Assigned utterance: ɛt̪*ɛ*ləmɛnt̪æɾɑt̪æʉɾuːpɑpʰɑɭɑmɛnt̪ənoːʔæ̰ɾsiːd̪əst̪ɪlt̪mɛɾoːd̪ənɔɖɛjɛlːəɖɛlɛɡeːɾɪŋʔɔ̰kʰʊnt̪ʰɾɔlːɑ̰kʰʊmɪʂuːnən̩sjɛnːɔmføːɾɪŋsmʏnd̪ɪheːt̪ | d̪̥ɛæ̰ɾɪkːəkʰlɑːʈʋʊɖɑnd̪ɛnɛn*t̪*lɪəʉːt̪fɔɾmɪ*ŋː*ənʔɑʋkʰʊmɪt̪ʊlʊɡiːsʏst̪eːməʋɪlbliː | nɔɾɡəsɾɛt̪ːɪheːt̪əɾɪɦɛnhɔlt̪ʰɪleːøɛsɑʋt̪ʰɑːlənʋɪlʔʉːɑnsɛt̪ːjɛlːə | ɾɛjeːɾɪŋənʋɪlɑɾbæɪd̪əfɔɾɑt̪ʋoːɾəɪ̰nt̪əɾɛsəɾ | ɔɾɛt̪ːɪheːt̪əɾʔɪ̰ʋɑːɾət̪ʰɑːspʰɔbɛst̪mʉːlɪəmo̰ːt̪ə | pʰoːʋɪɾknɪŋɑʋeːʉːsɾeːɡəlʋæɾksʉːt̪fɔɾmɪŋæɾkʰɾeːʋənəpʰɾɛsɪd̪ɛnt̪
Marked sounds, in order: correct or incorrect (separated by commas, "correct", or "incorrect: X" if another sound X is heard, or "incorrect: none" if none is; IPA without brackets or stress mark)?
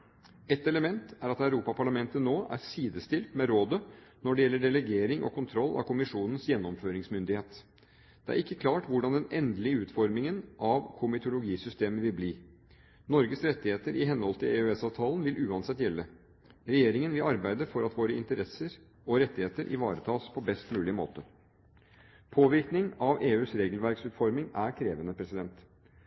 correct, incorrect: d̪, incorrect: ŋ